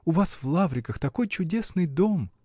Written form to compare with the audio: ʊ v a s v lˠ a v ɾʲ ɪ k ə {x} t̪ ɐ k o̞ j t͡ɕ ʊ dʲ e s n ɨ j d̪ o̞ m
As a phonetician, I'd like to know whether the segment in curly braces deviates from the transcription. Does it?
no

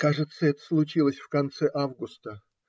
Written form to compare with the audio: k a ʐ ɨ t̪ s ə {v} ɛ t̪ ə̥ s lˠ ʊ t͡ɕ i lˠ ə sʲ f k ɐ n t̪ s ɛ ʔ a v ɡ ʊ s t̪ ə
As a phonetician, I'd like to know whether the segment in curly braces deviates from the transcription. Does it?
yes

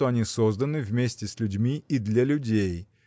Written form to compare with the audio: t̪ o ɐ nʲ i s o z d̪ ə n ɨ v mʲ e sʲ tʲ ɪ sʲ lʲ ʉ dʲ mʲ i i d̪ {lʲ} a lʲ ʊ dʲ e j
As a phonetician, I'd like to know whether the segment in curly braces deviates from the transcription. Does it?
no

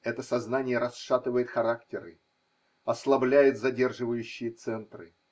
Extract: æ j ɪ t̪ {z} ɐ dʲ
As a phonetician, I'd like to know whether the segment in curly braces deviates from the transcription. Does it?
no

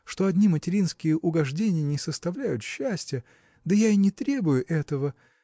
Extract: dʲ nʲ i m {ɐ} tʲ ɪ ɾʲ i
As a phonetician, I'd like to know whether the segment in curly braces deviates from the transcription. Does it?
yes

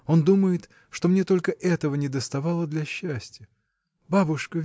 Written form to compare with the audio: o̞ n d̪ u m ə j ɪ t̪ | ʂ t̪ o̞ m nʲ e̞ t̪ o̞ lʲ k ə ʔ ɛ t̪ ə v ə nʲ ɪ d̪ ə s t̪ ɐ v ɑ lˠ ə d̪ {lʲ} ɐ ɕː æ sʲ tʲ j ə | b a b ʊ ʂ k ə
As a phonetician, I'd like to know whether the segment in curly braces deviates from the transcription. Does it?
no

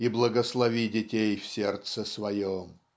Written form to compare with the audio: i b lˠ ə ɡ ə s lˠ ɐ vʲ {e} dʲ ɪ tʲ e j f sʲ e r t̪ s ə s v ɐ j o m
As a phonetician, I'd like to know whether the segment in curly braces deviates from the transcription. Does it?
yes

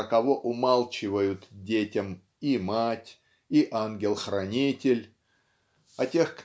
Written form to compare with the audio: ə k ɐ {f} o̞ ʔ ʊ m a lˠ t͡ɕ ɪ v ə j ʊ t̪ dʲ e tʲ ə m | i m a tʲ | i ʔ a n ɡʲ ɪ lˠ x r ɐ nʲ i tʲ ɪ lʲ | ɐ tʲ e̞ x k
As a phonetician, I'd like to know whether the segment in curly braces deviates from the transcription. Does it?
yes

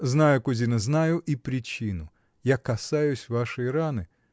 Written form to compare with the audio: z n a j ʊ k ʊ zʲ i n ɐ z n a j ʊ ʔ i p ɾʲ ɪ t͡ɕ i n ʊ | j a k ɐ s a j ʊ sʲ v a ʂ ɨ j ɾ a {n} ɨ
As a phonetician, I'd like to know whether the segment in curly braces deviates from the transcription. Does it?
no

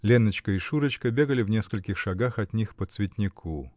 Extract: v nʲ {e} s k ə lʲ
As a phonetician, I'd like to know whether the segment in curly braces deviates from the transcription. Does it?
no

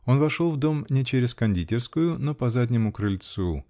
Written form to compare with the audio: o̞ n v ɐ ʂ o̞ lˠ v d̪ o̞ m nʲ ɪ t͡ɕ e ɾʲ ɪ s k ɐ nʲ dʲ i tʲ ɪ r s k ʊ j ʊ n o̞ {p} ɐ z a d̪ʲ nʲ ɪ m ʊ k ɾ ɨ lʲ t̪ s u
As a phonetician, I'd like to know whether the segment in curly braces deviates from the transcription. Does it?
no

